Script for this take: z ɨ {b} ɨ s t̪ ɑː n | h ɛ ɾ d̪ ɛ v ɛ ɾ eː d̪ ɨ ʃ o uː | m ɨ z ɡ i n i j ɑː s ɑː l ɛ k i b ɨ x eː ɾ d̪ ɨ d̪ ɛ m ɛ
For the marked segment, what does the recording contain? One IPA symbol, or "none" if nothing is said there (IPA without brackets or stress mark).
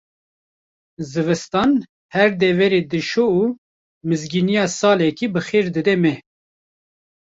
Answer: v